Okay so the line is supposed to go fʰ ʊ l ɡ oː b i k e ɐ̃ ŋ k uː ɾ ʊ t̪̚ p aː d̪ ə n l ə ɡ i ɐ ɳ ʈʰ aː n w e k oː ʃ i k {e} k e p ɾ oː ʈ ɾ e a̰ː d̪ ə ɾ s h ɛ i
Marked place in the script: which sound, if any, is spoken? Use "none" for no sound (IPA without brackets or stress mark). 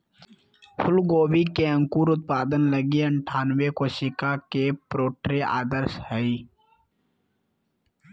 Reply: a